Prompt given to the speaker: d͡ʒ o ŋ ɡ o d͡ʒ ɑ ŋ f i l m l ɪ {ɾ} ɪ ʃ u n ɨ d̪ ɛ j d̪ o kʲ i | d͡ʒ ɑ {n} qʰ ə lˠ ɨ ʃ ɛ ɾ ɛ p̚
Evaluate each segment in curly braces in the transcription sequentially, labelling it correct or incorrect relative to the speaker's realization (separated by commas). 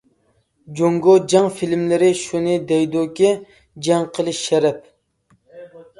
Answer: correct, incorrect